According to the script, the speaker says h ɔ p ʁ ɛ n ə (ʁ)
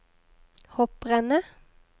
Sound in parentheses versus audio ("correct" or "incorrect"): incorrect